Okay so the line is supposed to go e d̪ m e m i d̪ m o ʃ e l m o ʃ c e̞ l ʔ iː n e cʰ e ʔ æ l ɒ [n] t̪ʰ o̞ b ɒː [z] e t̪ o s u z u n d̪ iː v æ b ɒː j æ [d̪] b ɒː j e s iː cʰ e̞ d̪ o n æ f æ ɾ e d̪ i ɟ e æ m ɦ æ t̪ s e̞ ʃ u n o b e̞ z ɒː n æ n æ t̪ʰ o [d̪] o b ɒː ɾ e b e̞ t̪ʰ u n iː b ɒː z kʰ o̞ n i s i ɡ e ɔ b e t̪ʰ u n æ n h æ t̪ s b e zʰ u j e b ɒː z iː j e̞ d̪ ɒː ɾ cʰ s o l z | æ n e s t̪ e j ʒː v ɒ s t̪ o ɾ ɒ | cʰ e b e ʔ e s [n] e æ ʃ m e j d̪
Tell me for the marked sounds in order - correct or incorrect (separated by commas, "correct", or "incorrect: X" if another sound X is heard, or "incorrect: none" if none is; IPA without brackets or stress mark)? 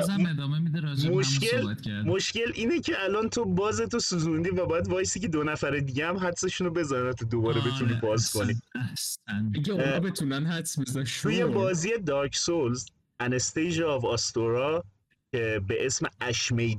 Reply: correct, correct, correct, correct, incorrect: m